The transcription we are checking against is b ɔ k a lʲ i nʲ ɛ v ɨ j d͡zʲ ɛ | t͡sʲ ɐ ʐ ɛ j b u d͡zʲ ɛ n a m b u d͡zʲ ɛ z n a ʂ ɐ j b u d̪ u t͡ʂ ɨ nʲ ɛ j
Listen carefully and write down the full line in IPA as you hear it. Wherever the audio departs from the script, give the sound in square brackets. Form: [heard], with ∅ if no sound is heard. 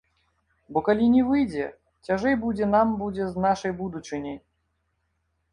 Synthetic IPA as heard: b ɔ k a lʲ i nʲ ɛ v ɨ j d͡zʲ ɛ | t͡sʲ [a] ʐ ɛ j b u d͡zʲ ɛ n a m b u d͡zʲ ɛ z n a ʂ ɐ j b u d̪ u t͡ʂ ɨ nʲ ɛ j